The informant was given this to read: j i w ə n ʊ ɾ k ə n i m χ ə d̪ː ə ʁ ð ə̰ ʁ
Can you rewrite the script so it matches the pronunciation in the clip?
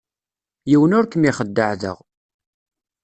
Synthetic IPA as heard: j i w ə n ʊ ɾ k ə m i χ ə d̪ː ə ʕ ð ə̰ ʁ

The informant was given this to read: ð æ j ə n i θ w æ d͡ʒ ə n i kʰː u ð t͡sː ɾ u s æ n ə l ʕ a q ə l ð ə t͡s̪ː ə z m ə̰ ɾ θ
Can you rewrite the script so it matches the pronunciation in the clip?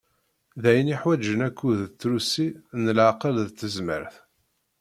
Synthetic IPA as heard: ð æ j ə n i ħ w æ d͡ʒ ə n æ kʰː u ð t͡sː ɾ u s i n ə l ʕ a q ə l ð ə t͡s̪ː ə z m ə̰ ɾ θ

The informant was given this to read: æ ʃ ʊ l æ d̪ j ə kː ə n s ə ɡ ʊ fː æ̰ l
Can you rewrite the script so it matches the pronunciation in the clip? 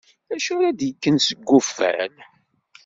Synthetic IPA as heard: æ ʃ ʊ ɾ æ d̪ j ə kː ə n s ə ɡː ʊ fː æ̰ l

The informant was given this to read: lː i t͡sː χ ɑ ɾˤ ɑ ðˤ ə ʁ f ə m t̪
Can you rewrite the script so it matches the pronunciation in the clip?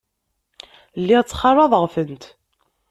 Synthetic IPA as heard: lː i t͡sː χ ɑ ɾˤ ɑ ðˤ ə ʁ f ə n t̪

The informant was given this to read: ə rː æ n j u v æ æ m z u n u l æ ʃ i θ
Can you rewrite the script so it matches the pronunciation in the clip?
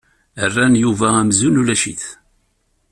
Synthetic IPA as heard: ə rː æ n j u v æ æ m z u n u l æ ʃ i θ

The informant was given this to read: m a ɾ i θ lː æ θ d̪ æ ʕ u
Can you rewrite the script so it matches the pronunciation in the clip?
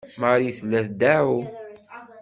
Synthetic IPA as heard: m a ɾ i θ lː æ θ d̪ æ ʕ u

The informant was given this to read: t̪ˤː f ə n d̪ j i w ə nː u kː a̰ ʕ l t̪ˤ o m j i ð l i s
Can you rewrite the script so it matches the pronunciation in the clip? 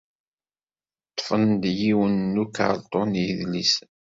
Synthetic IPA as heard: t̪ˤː f ə n d̪ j i w ə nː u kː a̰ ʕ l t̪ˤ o n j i ð l i s

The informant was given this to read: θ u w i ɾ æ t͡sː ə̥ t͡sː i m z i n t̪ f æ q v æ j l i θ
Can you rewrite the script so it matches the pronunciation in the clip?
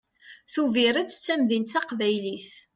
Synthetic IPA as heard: θ u v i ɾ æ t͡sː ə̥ t͡sː æ m ð i n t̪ θ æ q v æ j l i θ

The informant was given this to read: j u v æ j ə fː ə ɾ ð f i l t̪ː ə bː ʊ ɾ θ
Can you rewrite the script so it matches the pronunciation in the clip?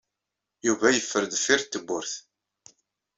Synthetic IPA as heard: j u v æ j ə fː ə ɾ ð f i ɾ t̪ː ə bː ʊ ɾ θ

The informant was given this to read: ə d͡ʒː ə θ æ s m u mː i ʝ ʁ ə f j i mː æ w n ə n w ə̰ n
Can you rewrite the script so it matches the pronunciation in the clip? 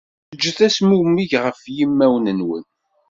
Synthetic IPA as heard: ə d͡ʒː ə θ æ s m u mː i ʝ ʁ ə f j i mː æ w n ə n w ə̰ n

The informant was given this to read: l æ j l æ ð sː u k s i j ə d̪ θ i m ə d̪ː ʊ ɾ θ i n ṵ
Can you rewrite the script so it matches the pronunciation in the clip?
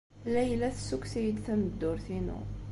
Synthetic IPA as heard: l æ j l æ θ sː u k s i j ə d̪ θ æ m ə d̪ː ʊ ɾ θ i n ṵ

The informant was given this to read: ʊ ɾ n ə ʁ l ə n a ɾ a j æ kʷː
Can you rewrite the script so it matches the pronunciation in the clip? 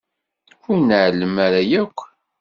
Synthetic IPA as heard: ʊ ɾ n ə ʕ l ə m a ɾ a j æ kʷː

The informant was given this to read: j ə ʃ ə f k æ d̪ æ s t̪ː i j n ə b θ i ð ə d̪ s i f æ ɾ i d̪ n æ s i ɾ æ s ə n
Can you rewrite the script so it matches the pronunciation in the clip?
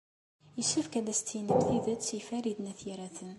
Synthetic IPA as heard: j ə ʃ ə f k æ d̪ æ s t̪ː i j n ə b θ i ð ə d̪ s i f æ ɾ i d̪ n æ θ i ɾ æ θ ə n

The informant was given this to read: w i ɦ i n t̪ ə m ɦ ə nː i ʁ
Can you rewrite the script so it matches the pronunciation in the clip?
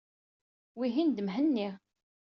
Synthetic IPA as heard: w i ɦ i n d̪ ə m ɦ ə nː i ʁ

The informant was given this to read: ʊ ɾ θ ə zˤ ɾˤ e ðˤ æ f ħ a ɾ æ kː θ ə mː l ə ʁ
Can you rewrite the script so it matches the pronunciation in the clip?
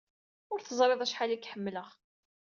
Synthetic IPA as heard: ʊ ɾ θ ə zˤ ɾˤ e ðˤ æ ʃ ħ a l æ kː ħ ə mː l ə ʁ

